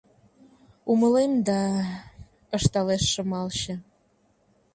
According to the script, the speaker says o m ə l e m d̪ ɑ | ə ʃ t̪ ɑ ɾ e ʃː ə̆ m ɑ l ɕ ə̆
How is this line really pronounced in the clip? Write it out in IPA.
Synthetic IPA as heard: u m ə l e m d̪ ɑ | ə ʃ t̪ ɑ l e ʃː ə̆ m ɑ l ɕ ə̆